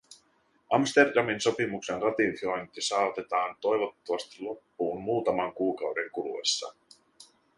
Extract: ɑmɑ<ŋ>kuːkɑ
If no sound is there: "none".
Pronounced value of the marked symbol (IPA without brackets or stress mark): ŋ